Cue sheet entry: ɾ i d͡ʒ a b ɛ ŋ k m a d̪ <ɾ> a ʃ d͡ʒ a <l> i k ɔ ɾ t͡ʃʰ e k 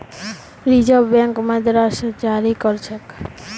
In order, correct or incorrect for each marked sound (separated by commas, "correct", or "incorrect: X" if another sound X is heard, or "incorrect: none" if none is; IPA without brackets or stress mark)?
correct, incorrect: ɾ